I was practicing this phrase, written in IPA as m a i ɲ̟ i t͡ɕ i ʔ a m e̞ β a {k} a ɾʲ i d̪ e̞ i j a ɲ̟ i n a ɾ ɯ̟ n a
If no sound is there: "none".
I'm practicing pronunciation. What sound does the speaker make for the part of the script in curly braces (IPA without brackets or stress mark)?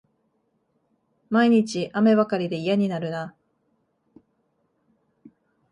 k